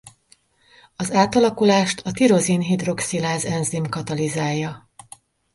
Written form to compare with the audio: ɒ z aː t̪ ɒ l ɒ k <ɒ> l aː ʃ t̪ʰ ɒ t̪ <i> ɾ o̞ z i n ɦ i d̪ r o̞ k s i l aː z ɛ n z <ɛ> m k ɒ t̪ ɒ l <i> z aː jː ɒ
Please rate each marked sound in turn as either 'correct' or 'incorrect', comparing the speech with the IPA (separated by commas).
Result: incorrect, correct, incorrect, correct